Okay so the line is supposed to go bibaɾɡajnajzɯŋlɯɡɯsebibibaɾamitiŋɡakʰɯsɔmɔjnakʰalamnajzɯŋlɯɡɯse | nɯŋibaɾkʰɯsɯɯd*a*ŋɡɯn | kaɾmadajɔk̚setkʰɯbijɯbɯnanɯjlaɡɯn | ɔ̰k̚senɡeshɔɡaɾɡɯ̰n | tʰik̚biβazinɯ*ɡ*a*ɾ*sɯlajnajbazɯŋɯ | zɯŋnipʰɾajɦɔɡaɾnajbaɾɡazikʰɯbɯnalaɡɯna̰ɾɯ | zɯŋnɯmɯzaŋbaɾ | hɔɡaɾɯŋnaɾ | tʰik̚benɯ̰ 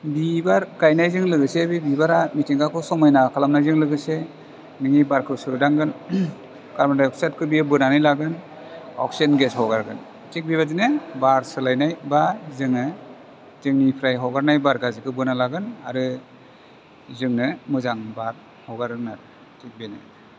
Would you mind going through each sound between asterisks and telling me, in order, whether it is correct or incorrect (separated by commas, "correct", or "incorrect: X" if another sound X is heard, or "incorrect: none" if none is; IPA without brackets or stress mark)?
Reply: correct, incorrect: b, correct